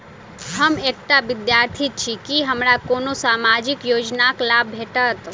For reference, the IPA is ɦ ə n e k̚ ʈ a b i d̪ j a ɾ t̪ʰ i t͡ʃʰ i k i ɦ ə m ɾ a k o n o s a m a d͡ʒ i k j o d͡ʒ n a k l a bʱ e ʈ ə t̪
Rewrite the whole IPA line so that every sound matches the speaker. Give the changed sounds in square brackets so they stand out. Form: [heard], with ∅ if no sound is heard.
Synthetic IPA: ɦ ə [m] e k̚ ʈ a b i d̪ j a ɾ t̪ʰ i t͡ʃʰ i k i ɦ ə m ɾ a k o n o s a m a d͡ʒ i k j o d͡ʒ n a k l a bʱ e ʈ ə t̪